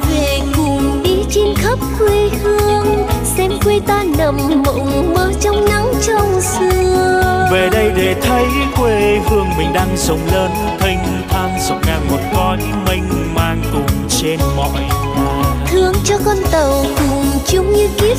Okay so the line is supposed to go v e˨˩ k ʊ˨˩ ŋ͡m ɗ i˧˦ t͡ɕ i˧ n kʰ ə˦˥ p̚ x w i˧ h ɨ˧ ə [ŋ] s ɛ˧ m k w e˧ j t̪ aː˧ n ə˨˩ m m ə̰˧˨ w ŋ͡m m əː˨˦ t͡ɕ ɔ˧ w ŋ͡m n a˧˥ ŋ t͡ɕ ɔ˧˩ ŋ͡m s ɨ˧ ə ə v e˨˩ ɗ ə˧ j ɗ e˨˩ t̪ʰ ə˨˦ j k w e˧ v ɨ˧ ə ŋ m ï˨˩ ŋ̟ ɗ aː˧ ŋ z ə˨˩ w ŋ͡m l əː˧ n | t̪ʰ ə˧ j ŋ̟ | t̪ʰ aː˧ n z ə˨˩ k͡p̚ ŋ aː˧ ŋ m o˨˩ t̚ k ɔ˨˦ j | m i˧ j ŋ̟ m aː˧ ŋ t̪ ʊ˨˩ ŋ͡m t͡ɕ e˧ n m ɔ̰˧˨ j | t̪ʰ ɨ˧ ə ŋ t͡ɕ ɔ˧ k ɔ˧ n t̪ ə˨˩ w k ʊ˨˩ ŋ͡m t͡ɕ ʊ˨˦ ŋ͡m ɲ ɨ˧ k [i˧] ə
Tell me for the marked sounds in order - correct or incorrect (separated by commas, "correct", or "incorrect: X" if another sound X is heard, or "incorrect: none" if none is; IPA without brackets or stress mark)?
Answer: correct, incorrect: i˦˥